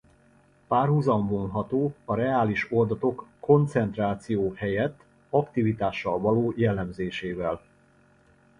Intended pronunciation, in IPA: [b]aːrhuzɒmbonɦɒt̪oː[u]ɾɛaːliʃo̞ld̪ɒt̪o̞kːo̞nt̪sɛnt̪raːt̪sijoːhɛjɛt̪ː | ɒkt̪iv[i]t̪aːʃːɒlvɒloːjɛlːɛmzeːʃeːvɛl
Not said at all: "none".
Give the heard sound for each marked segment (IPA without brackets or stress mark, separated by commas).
p, ɒ, i